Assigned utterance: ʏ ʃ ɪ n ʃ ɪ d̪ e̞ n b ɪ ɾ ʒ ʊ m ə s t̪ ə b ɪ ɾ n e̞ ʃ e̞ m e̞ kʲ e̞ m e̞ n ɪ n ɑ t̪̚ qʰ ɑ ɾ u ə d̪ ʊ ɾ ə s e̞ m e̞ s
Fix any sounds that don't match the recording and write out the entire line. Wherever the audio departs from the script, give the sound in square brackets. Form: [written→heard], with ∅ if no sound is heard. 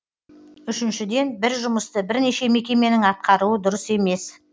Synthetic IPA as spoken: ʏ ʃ ɪ n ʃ ɪ d̪ e̞ n b ɪ ɾ ʒ ʊ m ə s t̪ ə b ɪ ɾ n e̞ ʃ e̞ m e̞ kʲ e̞ m e̞ n ɪ [n→ŋ] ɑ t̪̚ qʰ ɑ ɾ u ə d̪ ʊ ɾ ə s e̞ m e̞ s